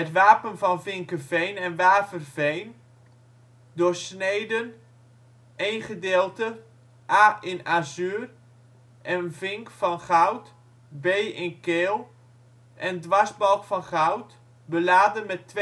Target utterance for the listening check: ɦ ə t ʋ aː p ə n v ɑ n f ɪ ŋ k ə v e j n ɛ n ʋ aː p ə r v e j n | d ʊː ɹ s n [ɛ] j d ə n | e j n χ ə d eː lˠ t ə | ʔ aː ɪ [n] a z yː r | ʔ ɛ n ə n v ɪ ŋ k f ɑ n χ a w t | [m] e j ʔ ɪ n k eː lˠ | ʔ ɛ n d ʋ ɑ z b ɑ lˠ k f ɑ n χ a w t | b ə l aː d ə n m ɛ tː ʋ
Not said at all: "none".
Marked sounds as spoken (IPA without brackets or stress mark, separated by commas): e, n, b